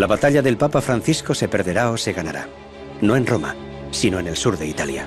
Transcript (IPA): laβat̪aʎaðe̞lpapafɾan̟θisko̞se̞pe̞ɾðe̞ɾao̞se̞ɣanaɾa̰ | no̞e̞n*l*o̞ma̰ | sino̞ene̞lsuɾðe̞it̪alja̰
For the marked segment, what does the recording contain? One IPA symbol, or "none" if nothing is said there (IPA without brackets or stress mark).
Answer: r